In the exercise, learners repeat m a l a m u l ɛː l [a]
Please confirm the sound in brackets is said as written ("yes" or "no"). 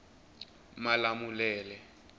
no